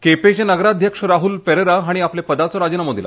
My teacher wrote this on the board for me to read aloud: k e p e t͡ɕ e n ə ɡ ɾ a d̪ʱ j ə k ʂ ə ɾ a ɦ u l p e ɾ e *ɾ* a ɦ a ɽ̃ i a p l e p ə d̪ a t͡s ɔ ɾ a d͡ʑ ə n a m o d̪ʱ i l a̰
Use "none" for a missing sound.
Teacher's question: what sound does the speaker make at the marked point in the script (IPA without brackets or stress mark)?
ɾ